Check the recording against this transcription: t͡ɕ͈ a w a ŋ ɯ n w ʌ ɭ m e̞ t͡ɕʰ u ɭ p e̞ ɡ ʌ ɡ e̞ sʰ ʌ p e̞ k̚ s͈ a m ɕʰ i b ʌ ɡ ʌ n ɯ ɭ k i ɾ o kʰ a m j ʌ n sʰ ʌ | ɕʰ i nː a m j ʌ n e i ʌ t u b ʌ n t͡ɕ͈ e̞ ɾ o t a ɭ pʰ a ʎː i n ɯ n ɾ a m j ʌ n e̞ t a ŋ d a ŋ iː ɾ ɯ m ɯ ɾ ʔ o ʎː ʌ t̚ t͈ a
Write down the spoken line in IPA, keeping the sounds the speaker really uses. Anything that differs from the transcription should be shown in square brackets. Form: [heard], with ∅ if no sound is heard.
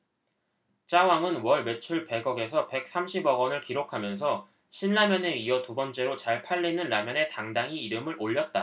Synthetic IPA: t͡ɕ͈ a w a ŋ ɯ n w ʌ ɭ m e̞ t͡ɕʰ u ɭ p e̞ ɡ ʌ ɡ e̞ sʰ ʌ p e̞ k̚ s͈ a m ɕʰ i b ʌ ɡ ʌ n ɯ ɭ k i ɾ o kʰ a m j ʌ n sʰ ʌ | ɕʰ i nː a m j ʌ n e i ʌ t u b ʌ n t͡ɕ͈ e̞ ɾ o [t͡ɕ] a ɭ pʰ a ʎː i n ɯ n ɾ a m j ʌ n e̞ t a ŋ d a ŋ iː ɾ ɯ m ɯ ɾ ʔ o ʎː ʌ t̚ t͈ a